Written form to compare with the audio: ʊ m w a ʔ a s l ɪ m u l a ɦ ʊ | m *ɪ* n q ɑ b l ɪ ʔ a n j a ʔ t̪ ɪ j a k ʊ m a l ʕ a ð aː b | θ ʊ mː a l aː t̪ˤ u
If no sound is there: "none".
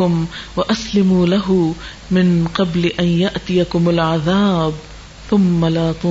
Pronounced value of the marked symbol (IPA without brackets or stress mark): ɪ